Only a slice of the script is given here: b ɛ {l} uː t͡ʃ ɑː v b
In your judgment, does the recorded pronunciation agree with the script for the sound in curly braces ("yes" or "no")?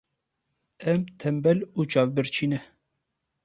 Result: yes